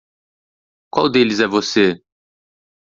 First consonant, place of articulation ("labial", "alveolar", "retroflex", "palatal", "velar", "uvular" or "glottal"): velar